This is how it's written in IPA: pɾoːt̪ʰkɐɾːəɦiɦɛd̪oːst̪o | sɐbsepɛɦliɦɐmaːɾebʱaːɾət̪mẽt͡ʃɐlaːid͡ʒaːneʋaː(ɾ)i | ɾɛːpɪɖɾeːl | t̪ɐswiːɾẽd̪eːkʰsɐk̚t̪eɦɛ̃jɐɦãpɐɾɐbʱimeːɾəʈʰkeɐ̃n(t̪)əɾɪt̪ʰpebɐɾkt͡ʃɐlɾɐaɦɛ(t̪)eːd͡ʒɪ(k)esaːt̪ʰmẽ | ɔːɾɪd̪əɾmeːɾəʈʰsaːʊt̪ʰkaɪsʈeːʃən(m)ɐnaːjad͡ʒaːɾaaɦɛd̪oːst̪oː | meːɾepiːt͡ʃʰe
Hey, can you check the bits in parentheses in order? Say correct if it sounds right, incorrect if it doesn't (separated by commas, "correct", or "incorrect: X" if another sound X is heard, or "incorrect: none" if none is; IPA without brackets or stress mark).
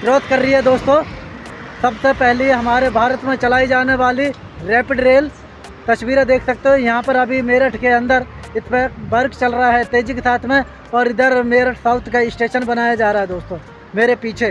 incorrect: l, incorrect: d̪, correct, correct, incorrect: b